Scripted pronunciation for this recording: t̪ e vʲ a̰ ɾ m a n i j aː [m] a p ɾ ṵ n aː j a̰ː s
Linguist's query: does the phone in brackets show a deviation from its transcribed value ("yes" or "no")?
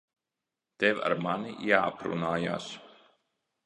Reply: yes